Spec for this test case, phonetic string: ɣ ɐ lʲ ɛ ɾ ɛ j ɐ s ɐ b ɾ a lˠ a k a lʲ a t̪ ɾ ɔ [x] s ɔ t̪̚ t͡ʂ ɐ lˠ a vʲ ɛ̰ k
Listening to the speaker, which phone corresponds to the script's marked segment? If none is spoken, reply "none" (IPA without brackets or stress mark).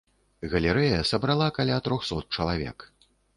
x